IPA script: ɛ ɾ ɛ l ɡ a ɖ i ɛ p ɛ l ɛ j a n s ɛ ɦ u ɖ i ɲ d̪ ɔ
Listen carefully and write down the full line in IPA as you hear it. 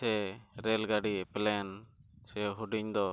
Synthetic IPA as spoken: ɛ ɾ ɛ l ɡ a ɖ i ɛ p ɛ l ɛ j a n s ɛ ɦ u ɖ i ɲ d̪ ɔ